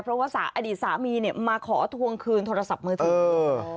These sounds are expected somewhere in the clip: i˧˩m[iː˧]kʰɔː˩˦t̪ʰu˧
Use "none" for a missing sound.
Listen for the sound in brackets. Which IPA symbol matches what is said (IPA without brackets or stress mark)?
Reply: aː˧